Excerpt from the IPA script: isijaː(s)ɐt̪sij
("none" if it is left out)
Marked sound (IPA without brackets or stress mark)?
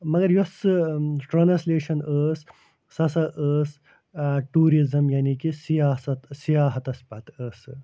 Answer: s